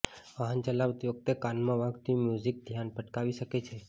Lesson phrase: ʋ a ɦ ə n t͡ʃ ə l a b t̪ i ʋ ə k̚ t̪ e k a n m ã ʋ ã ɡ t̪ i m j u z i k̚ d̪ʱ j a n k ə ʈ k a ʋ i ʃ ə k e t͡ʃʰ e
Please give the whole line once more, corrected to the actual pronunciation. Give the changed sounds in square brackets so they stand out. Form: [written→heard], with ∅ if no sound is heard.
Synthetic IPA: ʋ a ɦ ə n t͡ʃ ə l a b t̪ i ʋ ə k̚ t̪ e k a n m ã ʋ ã ɡ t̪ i m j u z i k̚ d̪ʱ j a n [k→p] ə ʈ k a ʋ i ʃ ə k e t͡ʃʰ e